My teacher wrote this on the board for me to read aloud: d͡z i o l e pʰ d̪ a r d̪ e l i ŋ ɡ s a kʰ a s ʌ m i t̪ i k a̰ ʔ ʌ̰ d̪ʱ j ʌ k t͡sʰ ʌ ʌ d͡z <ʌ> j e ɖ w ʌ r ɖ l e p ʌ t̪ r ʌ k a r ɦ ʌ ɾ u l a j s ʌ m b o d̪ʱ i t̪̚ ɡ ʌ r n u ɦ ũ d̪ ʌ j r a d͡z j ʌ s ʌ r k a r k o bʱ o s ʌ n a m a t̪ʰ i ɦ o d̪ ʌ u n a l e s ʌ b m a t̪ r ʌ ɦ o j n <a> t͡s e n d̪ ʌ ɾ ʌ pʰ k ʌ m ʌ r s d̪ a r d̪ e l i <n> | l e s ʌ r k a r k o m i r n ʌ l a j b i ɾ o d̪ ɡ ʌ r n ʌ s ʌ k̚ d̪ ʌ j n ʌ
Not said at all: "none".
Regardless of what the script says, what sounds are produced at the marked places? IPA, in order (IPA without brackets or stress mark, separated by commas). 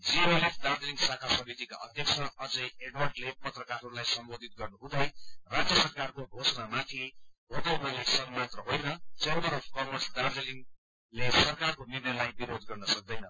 ʌ, ʌ, ŋ